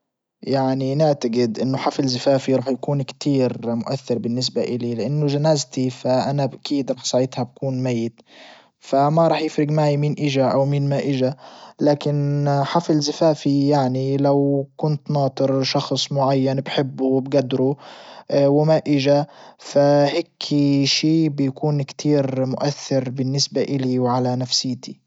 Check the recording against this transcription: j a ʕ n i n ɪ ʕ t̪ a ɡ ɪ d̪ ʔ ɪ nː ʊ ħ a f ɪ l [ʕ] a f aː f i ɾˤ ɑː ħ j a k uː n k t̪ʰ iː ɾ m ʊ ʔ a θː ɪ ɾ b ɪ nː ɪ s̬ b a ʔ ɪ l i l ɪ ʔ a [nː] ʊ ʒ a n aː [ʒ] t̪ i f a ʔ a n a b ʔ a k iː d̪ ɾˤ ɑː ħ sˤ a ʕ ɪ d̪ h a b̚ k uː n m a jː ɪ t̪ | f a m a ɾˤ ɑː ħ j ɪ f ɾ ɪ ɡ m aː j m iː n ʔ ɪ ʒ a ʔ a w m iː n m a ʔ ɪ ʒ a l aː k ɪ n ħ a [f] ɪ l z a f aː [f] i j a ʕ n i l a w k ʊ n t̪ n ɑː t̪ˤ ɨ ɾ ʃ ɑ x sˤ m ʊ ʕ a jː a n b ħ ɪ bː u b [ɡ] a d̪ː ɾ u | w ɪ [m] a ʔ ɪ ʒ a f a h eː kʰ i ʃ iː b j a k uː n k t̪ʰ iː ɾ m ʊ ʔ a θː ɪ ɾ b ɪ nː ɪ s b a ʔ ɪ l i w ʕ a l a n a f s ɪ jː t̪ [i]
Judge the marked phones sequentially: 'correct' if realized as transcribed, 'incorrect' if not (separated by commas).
incorrect, correct, incorrect, correct, correct, correct, correct, correct